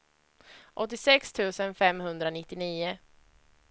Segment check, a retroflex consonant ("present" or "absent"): absent